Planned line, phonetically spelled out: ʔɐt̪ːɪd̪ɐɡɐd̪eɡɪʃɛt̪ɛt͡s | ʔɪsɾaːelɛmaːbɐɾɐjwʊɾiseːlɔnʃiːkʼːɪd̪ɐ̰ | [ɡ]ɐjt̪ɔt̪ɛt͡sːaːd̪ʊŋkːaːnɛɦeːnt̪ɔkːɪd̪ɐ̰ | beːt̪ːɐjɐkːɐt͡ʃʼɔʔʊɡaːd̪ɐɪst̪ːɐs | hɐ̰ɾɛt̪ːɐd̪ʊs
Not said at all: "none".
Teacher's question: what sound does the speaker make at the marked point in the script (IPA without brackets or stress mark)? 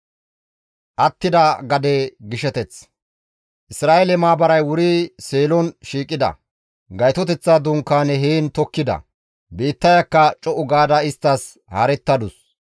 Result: ɡ